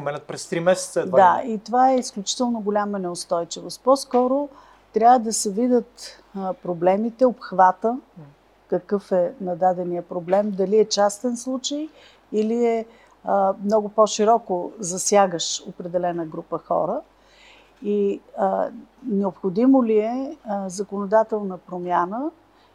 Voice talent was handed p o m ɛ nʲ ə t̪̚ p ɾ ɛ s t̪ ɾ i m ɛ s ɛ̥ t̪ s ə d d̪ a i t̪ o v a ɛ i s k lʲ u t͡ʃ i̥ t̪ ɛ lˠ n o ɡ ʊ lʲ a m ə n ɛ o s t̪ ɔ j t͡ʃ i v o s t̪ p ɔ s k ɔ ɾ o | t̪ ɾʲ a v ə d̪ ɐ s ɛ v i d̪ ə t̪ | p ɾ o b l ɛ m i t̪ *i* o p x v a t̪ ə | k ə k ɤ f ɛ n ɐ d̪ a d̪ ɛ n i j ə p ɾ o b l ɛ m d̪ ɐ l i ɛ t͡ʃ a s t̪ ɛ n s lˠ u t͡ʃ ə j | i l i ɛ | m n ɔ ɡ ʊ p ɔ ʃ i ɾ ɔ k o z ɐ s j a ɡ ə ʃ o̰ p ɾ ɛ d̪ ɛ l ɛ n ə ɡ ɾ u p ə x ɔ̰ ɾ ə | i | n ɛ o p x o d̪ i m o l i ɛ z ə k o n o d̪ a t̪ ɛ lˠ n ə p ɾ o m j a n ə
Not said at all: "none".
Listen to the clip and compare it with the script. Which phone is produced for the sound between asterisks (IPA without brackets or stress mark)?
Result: ɛ